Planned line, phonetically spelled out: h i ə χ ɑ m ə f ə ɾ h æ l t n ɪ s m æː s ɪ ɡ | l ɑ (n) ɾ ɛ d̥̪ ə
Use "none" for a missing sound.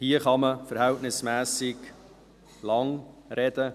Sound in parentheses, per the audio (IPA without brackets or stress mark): ŋ